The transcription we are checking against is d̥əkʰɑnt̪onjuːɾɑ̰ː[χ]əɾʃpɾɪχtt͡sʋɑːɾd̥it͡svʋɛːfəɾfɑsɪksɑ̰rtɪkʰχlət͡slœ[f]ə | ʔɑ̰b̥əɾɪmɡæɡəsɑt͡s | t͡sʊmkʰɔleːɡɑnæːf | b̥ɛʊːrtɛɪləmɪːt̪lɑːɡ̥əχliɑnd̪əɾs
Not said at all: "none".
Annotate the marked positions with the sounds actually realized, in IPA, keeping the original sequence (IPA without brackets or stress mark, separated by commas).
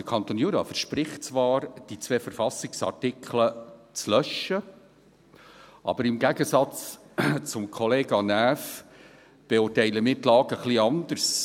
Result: f, ʃ